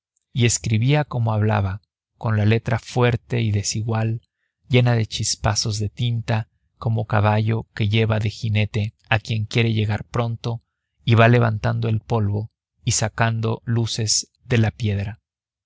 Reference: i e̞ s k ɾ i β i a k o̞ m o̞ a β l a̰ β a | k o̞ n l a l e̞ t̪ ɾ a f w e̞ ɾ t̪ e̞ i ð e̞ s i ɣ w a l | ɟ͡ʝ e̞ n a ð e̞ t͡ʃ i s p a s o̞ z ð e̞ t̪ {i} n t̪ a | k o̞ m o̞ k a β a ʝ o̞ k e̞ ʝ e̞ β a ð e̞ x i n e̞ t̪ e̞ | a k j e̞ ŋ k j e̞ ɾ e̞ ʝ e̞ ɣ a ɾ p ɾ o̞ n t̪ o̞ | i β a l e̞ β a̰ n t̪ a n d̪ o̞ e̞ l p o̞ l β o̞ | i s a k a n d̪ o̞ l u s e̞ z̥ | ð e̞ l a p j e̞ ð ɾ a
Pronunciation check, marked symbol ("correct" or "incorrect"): correct